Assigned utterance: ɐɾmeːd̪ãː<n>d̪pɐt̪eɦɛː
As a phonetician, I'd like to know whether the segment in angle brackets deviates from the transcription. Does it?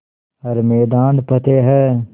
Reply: no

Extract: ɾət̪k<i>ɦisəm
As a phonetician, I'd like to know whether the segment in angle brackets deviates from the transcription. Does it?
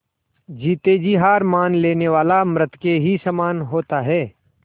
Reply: yes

